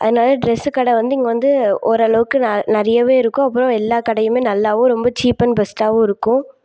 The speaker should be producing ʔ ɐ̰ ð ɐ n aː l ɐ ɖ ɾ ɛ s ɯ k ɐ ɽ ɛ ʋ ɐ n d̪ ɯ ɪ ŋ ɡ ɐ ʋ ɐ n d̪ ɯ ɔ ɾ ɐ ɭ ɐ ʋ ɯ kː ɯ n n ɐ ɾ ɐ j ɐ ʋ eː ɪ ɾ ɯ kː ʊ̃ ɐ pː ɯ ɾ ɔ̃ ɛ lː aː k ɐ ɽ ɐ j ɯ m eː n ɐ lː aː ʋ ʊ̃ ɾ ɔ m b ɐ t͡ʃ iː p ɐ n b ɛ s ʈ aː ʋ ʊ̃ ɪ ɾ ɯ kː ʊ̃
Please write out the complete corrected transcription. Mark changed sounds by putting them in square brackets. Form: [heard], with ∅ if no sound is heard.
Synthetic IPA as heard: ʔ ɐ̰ ð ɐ n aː l ɐ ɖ ɾ ɛ s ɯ k ɐ ɽ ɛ ʋ ɐ n d̪ ɯ ɪ ŋ ɡ ɐ ʋ ɐ n d̪ ɯ ɔ ɾ ɐ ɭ ɐ ʋ ɯ kː ɯ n n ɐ ɾ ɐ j ɐ ʋ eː ɪ ɾ ɯ kː ʊ̃ ɐ pː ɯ ɾ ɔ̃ ɛ lː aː k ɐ ɽ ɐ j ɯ m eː n ɐ lː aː ʋ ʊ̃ ɾ ɔ m b ɐ t͡ʃ iː p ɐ n b ɛ s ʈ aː ʋ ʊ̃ ɪ ɾ ɯ kː ʊ̃